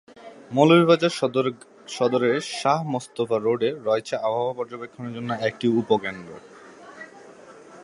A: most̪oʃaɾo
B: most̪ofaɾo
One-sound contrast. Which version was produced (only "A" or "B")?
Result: B